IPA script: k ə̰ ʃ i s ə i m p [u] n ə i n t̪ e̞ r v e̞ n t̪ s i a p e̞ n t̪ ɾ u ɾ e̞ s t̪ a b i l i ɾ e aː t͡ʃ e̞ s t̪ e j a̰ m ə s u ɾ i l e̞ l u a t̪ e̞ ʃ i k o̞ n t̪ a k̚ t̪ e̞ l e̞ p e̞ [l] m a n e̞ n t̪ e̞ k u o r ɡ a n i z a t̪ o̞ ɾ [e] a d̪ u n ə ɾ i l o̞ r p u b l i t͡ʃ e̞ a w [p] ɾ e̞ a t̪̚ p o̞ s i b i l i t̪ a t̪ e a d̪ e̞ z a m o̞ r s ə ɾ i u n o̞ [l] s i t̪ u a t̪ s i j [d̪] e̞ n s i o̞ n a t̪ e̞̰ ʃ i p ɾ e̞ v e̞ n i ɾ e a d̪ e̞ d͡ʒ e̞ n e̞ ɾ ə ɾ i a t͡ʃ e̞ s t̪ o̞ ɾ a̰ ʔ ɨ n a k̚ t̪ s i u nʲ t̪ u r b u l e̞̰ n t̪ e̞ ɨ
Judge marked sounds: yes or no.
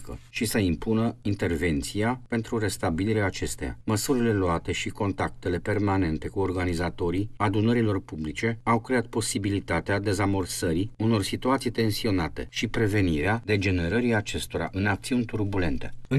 yes, no, no, no, no, no

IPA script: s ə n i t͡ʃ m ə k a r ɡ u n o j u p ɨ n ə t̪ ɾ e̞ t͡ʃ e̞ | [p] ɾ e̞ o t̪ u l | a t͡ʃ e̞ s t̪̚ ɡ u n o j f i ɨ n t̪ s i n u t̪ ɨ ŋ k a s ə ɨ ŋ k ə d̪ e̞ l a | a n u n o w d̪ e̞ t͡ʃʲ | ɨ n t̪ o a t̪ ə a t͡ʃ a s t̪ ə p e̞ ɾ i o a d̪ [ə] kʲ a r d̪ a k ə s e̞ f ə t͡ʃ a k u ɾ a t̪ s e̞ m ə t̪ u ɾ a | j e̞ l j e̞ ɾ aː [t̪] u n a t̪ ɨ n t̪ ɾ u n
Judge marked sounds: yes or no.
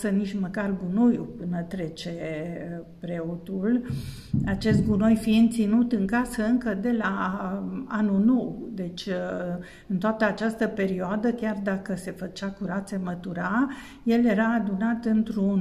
yes, yes, no

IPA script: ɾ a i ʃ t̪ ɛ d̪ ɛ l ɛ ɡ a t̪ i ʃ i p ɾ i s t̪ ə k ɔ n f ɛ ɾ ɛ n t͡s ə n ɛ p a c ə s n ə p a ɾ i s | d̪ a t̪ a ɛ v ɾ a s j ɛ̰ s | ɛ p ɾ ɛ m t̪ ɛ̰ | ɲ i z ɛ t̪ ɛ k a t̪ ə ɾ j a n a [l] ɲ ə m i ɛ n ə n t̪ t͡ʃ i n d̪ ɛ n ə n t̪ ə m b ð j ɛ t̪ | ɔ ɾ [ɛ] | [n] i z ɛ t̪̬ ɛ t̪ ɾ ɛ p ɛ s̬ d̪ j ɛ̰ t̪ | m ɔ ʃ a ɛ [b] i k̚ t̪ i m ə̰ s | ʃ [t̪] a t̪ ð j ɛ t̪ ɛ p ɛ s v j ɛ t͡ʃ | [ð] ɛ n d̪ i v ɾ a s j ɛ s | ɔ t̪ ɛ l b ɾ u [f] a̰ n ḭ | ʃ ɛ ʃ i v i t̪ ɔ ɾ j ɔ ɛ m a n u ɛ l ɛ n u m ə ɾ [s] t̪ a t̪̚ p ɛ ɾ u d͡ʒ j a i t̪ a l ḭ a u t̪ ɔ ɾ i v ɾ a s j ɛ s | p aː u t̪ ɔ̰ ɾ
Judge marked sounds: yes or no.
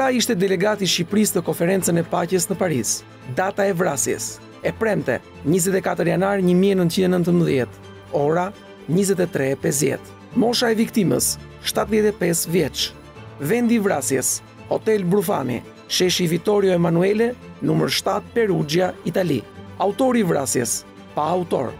no, no, no, no, yes, no, yes, no

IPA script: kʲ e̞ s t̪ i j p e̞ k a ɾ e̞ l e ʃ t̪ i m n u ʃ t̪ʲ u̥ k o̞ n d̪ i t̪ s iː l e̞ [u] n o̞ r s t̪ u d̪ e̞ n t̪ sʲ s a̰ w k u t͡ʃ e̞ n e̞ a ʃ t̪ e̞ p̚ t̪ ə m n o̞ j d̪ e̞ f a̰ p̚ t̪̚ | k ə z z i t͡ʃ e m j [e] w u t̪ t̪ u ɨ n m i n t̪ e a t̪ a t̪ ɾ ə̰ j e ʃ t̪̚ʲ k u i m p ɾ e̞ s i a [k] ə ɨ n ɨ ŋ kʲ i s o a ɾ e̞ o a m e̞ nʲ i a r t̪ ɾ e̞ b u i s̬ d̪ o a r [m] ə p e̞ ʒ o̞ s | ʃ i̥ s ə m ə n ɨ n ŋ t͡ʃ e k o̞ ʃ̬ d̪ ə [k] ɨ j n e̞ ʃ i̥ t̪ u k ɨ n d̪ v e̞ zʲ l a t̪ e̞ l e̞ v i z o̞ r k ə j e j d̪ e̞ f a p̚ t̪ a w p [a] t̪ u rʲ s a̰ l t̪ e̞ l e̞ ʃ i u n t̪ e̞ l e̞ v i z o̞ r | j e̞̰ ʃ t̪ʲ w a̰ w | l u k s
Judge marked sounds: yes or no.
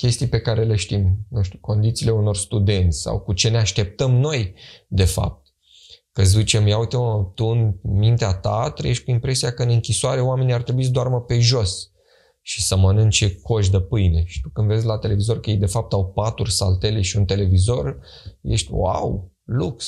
yes, no, yes, yes, no, yes

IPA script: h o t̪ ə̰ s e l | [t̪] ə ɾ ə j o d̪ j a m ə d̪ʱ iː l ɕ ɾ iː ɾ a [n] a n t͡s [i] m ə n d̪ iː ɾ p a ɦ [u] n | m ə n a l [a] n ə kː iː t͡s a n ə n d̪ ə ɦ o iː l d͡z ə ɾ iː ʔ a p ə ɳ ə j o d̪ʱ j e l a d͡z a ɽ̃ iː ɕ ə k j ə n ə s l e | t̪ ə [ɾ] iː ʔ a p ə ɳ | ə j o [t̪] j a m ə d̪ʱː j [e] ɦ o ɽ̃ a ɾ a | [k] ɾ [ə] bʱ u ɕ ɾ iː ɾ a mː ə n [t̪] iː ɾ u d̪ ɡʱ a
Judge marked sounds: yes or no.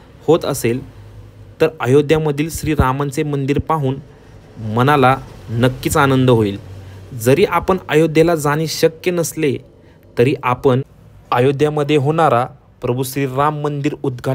yes, no, no, no, yes, yes, no, yes, no, yes, no

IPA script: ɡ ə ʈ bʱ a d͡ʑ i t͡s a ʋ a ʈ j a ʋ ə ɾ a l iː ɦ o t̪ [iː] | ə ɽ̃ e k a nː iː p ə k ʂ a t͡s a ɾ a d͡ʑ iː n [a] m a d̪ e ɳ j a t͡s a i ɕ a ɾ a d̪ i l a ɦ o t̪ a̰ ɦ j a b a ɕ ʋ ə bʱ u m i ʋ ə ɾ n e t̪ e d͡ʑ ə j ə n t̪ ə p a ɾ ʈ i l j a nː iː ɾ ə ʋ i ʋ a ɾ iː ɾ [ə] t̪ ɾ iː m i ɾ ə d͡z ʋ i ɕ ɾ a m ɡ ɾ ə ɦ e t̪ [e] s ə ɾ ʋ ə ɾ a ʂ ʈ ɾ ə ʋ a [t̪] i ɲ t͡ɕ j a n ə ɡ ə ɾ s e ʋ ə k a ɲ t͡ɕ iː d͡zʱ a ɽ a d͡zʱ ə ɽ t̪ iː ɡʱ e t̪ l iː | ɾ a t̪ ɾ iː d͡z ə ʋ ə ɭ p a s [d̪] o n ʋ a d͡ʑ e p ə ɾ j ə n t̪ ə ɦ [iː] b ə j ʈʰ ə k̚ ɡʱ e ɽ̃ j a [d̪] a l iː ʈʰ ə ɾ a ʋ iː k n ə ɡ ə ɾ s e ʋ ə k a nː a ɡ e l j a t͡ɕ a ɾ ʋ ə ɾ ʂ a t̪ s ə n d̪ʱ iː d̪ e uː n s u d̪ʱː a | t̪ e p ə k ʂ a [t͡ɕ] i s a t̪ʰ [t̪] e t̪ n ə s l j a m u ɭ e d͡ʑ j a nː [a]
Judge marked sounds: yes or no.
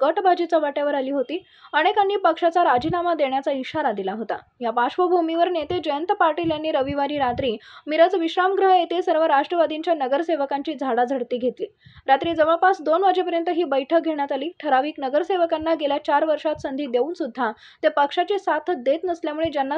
yes, yes, no, yes, no, yes, yes, no, yes, no, yes

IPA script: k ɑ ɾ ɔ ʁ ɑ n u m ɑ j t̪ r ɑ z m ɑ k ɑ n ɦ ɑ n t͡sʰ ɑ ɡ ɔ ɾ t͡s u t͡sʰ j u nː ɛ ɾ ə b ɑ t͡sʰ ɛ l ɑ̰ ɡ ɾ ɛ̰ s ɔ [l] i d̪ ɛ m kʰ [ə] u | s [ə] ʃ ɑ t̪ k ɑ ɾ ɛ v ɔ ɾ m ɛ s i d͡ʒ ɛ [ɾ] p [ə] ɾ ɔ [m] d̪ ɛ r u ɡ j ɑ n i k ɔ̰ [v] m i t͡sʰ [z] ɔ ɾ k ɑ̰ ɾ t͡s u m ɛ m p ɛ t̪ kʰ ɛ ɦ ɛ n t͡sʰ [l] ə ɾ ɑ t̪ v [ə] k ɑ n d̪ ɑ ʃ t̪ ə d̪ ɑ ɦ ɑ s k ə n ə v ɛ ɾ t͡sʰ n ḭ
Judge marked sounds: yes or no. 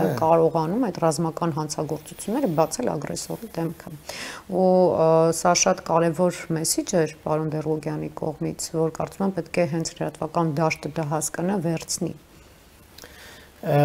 no, yes, no, yes, no, no, no, no, yes, no

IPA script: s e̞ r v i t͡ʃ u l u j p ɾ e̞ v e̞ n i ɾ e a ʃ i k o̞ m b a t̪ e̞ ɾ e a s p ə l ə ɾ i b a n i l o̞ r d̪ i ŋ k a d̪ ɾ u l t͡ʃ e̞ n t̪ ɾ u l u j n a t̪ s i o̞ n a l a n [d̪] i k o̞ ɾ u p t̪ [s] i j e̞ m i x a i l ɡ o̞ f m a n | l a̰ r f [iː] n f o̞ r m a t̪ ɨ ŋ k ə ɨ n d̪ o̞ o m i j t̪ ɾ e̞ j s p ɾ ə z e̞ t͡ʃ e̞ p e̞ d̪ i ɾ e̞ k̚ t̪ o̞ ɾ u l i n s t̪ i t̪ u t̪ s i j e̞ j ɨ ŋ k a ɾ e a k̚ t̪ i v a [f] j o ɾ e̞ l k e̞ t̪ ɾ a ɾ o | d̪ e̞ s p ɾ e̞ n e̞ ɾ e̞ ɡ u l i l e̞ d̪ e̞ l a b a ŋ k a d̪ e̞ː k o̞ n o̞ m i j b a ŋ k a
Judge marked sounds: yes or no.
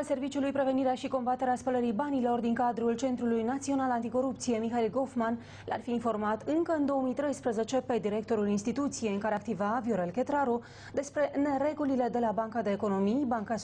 no, yes, yes, no

